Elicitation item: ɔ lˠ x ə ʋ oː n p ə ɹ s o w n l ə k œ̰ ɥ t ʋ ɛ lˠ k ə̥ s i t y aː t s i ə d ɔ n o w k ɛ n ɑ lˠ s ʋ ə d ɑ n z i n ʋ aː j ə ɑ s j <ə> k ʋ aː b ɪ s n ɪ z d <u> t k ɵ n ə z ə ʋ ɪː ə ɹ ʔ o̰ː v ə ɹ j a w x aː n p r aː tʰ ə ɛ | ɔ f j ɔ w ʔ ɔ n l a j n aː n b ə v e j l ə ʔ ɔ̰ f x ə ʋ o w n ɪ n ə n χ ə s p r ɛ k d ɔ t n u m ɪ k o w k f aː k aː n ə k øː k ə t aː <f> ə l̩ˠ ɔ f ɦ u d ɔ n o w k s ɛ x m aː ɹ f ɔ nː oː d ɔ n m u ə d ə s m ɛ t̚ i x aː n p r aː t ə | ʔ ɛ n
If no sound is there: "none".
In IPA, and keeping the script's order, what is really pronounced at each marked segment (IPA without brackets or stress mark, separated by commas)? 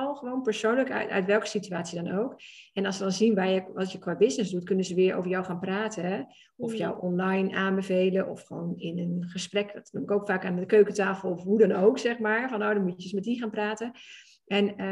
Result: ə, u, f